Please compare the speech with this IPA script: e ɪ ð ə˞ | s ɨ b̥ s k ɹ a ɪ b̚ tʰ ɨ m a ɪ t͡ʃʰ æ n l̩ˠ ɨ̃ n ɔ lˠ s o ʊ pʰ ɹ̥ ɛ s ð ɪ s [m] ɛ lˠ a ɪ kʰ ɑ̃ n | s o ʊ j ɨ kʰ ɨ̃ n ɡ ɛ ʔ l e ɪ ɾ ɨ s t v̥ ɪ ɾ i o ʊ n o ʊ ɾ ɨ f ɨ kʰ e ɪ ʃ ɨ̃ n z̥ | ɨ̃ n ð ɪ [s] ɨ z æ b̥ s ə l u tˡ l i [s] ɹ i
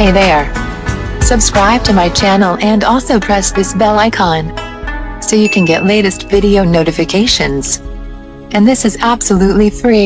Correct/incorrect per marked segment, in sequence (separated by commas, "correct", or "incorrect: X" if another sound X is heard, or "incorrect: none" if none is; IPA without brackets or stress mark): incorrect: b, correct, incorrect: f